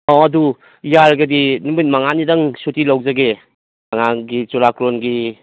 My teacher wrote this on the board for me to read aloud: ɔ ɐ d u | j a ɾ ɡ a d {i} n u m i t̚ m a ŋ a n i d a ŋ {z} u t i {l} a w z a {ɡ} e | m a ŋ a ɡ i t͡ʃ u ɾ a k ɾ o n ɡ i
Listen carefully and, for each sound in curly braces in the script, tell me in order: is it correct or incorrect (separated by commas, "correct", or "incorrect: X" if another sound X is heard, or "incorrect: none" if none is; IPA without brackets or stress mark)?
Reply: correct, incorrect: s, correct, correct